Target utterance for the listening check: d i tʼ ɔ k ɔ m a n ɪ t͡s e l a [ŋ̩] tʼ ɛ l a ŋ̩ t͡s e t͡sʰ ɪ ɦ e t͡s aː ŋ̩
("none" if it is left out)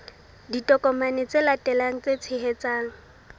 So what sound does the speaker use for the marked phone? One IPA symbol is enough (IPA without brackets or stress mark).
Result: none